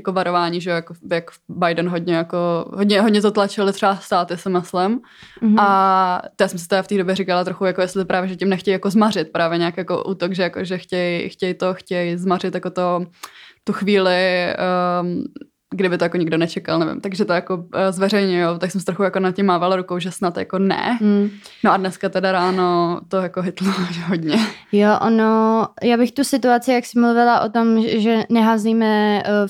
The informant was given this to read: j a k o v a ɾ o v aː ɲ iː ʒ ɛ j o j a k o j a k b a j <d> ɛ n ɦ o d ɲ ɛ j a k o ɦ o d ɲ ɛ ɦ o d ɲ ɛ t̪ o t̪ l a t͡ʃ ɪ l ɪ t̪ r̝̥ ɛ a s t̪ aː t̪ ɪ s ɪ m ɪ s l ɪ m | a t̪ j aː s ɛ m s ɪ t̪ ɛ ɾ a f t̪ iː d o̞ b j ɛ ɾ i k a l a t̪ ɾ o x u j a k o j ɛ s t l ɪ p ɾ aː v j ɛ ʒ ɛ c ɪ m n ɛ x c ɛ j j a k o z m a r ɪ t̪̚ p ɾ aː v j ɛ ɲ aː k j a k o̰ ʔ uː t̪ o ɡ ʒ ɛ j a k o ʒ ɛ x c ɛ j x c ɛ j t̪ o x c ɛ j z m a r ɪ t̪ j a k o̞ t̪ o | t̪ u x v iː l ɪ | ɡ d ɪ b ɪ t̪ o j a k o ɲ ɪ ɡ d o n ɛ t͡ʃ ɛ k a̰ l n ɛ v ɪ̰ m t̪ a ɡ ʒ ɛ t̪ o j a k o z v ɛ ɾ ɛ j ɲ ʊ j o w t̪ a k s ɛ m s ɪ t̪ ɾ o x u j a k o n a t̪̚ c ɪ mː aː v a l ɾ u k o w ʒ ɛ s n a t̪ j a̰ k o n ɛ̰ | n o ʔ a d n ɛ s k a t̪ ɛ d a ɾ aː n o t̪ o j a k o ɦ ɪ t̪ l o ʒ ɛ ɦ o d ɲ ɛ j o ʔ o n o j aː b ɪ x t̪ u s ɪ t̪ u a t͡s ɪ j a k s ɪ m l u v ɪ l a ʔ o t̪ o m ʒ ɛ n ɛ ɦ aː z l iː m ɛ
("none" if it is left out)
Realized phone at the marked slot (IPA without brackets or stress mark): d